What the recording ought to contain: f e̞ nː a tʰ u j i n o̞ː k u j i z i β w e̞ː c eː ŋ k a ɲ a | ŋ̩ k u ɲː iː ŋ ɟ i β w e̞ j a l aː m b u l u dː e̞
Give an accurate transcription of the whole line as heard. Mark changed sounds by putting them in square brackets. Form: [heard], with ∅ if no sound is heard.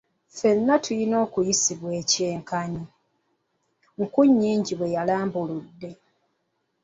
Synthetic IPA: f e̞ nː a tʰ u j i n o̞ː k u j i [s] i β w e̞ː c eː ŋ k a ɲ [i] | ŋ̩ k u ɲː iː [ɲ] ɟ i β w e̞ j a l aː m b u l u dː e̞